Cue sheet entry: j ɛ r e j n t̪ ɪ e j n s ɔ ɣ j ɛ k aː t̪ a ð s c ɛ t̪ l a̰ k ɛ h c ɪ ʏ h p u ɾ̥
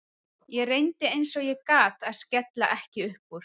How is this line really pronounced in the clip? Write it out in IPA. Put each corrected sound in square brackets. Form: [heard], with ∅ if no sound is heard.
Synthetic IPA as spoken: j ɛ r e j n t̪ ɪ e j n s ɔ ɣ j ɛ k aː t̪ a ð s c ɛ t̪ l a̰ [ʔ] ɛ h c ɪ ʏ h p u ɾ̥